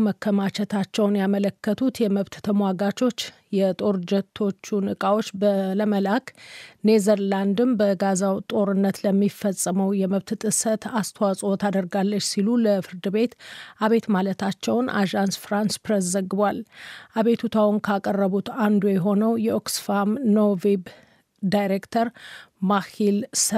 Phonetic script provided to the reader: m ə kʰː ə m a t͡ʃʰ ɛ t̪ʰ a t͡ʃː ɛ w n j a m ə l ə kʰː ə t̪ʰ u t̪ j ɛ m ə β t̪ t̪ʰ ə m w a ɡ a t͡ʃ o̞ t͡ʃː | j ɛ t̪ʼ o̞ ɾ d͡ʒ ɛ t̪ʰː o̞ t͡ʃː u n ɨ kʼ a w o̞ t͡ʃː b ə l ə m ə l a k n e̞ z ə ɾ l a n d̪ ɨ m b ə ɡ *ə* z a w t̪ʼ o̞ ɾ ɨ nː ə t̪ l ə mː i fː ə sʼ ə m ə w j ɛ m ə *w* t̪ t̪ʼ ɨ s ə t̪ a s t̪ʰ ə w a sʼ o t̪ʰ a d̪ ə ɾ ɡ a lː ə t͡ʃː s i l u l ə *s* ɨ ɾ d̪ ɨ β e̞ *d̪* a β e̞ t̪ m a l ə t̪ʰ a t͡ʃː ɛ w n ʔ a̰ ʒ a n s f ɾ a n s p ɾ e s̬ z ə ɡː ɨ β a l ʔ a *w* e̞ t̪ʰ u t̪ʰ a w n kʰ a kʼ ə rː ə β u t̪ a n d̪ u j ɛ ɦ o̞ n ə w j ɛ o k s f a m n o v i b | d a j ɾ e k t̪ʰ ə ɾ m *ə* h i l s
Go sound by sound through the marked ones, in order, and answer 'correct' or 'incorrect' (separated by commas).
incorrect, incorrect, incorrect, incorrect, incorrect, incorrect